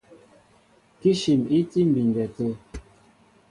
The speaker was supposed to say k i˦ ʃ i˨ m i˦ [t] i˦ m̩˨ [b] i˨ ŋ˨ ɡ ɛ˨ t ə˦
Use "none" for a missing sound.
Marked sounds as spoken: t, b

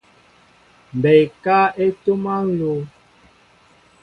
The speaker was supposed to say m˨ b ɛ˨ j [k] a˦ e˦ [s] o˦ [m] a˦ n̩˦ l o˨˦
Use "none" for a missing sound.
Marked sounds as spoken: k, t, m

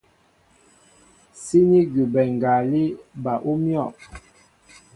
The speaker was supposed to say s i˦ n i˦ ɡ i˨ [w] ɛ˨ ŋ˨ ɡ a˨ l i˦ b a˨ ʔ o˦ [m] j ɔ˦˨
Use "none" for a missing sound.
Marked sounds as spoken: b, m

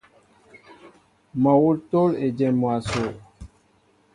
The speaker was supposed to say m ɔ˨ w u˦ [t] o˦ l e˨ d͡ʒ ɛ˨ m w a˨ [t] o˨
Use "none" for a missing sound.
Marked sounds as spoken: t, s

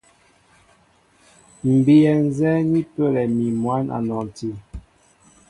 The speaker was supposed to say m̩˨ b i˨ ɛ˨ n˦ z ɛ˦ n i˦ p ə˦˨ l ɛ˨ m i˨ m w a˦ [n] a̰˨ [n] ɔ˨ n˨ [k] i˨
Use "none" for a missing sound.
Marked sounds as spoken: n, n, t

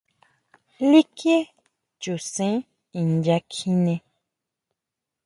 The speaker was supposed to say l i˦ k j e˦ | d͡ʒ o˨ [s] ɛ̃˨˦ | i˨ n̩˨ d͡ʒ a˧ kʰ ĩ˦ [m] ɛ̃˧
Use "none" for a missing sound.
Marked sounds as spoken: s, n

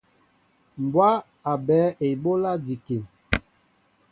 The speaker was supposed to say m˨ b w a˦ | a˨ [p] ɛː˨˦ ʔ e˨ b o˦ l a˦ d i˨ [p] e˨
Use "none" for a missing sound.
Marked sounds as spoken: b, k

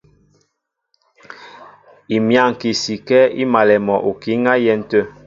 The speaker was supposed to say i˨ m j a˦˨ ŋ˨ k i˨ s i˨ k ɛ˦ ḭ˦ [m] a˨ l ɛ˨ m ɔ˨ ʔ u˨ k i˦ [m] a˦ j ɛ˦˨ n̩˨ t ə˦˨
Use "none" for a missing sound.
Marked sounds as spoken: m, ŋ

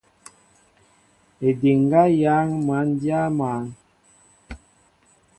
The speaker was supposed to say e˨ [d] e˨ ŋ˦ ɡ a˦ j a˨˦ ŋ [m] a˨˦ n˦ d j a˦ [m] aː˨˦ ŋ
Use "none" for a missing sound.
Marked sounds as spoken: d, m, m

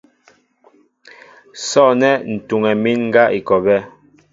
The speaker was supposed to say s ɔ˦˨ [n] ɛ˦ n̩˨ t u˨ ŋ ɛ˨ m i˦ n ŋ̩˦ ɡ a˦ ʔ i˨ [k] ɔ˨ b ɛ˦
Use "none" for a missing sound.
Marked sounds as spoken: n, k

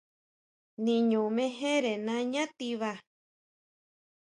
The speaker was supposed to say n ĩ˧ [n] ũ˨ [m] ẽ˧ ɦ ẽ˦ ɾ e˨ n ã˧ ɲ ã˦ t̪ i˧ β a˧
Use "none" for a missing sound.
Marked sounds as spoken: ɲ, m

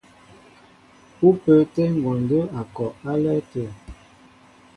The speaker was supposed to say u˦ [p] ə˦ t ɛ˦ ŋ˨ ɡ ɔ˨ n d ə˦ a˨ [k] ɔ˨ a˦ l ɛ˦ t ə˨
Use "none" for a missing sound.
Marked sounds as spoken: p, k

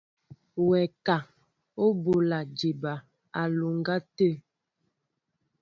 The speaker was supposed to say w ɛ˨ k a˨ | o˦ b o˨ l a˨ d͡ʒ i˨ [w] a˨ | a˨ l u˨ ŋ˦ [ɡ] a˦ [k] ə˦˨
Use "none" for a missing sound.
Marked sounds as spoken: b, ɡ, t

